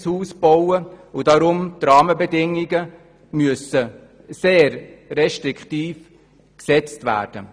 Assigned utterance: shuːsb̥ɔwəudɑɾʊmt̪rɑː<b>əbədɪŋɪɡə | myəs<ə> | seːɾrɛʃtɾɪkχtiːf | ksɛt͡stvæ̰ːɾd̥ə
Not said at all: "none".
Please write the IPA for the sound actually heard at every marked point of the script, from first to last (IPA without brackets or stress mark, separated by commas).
m, ə